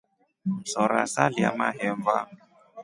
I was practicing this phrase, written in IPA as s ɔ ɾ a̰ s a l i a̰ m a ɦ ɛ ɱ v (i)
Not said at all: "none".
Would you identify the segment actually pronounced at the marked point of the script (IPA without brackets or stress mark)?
a